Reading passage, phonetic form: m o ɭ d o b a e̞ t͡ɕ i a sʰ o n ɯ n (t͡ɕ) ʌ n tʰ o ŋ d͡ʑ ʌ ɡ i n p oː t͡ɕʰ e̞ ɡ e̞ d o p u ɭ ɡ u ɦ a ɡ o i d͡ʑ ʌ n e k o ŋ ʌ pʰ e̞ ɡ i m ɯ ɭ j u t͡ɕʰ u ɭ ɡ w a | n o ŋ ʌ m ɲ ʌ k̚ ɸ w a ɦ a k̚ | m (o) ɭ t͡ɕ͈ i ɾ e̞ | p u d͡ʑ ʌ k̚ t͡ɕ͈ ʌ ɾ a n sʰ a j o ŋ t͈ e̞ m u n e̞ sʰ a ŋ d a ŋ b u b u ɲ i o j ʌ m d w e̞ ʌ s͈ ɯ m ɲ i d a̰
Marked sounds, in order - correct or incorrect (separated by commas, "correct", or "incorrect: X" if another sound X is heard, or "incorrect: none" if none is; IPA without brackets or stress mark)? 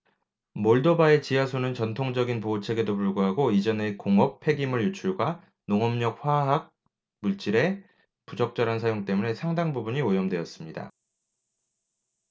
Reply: correct, incorrect: u